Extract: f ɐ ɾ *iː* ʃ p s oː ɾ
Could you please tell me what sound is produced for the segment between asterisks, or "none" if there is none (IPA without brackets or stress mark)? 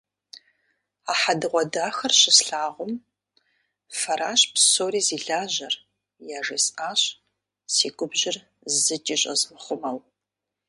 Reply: aː